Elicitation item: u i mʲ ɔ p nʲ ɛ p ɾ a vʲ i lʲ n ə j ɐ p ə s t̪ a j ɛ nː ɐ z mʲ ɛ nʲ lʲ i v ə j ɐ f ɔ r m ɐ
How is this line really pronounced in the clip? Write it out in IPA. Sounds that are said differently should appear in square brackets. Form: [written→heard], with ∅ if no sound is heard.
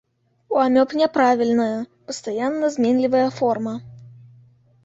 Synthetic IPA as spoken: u [i→a] mʲ ɔ p nʲ ɛ p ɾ a vʲ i lʲ n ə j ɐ p ə s t̪ a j [ɛ→a] nː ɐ z mʲ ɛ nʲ lʲ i v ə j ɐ f ɔ r m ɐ